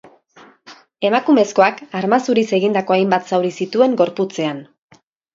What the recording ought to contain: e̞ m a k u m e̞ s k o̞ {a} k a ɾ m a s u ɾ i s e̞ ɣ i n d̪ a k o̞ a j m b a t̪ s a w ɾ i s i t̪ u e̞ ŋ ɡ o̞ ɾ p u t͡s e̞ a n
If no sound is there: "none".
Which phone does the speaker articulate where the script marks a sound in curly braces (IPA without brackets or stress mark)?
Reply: a